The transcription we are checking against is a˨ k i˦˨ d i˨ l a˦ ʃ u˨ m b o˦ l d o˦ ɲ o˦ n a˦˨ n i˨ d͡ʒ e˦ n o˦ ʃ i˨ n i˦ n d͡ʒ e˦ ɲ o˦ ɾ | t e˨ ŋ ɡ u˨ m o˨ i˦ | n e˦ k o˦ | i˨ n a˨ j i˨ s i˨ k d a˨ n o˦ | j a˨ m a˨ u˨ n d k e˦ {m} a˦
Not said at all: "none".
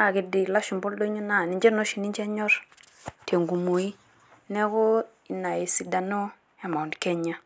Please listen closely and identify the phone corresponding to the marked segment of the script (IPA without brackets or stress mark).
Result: ɲ